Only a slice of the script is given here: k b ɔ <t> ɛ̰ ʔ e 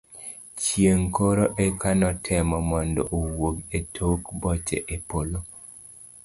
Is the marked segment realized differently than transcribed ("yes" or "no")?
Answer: yes